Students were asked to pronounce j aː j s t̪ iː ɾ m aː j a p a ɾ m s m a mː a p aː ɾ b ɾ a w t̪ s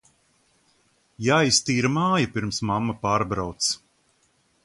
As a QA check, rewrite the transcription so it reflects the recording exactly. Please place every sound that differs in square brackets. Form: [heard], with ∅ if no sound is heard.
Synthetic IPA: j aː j s t̪ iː ɾ m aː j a p [i] ɾ m s m a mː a p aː ɾ b ɾ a w t̪ s